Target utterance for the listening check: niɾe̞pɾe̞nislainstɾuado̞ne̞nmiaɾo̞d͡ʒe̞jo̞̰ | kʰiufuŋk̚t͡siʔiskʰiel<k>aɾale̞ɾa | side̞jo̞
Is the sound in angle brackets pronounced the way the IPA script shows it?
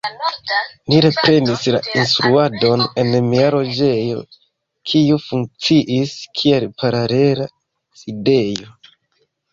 no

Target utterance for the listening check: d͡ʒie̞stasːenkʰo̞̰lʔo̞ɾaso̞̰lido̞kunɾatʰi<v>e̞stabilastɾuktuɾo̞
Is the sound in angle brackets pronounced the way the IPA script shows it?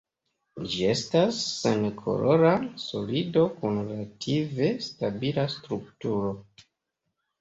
yes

